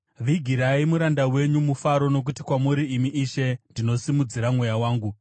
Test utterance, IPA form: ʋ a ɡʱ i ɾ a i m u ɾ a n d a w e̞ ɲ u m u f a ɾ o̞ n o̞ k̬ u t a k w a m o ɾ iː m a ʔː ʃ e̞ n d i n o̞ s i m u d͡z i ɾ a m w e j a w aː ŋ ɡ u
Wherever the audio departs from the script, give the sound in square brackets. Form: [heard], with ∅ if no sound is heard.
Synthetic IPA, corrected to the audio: ʋ [i] ɡʱ i ɾ a i m u ɾ a n d a w e̞ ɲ u m u f a ɾ o̞ n o̞ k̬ u t [i] k w a m [u] ɾ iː m [i] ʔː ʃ e̞ n d i n o̞ s i m u d͡z i ɾ a m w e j a w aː ŋ ɡ u

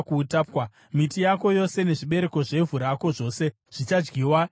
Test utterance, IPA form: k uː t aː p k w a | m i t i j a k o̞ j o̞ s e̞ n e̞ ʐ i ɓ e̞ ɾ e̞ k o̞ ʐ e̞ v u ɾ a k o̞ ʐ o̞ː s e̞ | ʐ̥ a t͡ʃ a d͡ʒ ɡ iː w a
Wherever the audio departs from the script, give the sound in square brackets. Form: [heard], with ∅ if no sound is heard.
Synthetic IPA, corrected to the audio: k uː t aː p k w a | m i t i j a k o̞ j o̞ s e̞ n e̞ ʐ i ɓ e̞ ɾ e̞ k o̞ ʐ e̞ v u ɾ a k o̞ ʐ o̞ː s e̞ | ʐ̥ [i] t͡ʃ a d͡ʒ ɡ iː w a

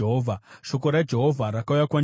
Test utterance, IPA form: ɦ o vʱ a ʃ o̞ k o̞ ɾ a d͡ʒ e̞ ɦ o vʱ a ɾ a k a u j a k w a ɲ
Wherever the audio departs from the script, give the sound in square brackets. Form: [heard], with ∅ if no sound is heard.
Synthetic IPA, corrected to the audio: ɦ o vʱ a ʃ o̞ k o̞ ɾ a d͡ʒ e̞ ɦ o vʱ a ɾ a k a u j a k w a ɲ

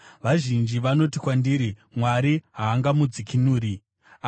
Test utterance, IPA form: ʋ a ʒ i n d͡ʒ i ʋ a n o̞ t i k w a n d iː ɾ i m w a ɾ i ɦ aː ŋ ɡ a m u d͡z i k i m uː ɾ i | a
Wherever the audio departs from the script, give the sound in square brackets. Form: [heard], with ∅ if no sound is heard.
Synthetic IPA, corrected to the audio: ʋ a ʒ i n d͡ʒ i ʋ a n o̞ t i k w a n d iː ɾ i m w a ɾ i ɦ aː ŋ ɡ a m u d͡z i k i [n] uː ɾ i | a

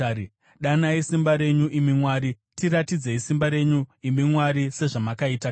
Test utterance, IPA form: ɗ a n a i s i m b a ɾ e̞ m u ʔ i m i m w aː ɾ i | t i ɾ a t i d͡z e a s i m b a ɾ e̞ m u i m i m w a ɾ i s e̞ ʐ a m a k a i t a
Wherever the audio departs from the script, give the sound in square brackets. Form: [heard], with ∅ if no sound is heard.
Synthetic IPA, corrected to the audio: ɗ a n a i s i m b a ɾ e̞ [ɲ] u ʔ i m i m w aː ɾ i | t i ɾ a t i d͡z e [i] s i m b a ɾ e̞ [ɲ] u i m i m w a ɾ i s e̞ ʐ a m a k a i t a

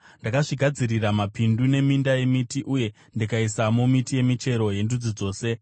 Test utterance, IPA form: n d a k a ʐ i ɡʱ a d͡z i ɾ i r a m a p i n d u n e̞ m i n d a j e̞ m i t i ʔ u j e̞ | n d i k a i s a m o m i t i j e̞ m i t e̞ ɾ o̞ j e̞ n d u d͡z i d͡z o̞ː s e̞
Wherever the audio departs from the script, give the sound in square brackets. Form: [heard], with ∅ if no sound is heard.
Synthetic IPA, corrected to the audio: n d a k a ʐ i ɡʱ a d͡z i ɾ i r a m a p i n d u n e̞ m i n d a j e̞ m i t i ʔ u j e̞ | n d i k a i s a m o m i t i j e̞ m i [t͡ʃ] e̞ ɾ o̞ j e̞ n d u d͡z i d͡z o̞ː s e̞

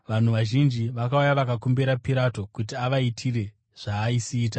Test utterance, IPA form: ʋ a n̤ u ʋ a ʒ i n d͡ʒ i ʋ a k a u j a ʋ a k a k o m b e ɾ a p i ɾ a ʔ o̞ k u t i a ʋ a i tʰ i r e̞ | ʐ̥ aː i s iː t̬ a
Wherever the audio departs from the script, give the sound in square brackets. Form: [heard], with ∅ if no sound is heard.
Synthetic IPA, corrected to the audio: ʋ a n̤ u ʋ a ʒ i n d͡ʒ i ʋ a k a u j a ʋ a k a k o m b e ɾ a p i ɾ a [t] o̞ k u t i a ʋ a i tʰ i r e̞ | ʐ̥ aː i s iː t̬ a

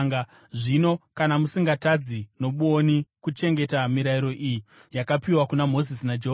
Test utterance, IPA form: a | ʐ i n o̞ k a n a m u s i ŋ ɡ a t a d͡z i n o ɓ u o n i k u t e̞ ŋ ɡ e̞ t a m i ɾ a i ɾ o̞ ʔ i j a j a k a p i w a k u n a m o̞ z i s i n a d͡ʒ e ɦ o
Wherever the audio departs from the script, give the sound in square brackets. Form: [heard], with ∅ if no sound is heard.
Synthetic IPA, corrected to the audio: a | ʐ i n o̞ k a n a m u s i ŋ ɡ a t a d͡z i n o ɓ u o n i k u [t͡ʃ] e̞ ŋ ɡ e̞ t a m i ɾ a i ɾ o̞ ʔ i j [i] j a k a p i w a k u n a m o̞ z i s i n a d͡ʒ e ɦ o

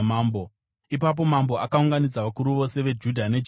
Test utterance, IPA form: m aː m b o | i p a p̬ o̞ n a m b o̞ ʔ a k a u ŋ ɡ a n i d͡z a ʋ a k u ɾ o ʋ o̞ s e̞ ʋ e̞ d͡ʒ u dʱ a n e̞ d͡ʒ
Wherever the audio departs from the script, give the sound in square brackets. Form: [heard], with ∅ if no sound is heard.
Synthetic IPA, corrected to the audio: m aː m b o | i p a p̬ o̞ [m] a m b o̞ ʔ a k a u ŋ ɡ a n i d͡z a ʋ a k u ɾ [u] ʋ o̞ s e̞ ʋ e̞ d͡ʒ u dʱ a n e̞ d͡ʒ

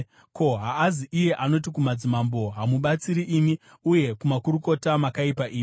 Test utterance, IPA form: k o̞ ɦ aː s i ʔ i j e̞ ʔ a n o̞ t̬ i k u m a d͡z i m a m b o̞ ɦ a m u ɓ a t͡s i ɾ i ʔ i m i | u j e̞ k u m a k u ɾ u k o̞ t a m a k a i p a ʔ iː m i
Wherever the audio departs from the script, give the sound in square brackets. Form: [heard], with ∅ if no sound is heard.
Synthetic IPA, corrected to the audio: k o̞ ɦ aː [z] i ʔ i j e̞ ʔ a n o̞ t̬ i k u m a d͡z i m a m b o̞ ɦ a m u ɓ a t͡s i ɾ i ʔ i m i | u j e̞ k u m a k u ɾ u k o̞ t a m a k a i p a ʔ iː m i

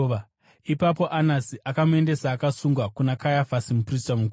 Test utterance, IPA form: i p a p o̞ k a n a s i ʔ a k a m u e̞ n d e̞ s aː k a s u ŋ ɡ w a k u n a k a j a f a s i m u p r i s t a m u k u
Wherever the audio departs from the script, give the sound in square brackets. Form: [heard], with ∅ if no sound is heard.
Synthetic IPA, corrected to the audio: i p a p o̞ [ʔ] a n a s i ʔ a k a m u e̞ n d e̞ s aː k a s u ŋ ɡ w a k u n a k a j a f a s i m u p r i s t a m u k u

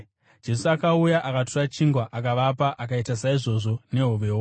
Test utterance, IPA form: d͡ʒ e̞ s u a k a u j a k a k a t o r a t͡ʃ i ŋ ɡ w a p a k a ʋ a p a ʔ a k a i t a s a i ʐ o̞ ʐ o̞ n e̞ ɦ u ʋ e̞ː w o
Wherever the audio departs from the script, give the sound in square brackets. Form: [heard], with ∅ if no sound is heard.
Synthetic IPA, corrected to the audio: d͡ʒ e̞ s u a k a u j a [ʔ] a k a t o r a t͡ʃ i ŋ ɡ w a [ʔ] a k a ʋ a p a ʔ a k a i t a s a i ʐ o̞ ʐ o̞ n e̞ ɦ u ʋ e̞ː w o

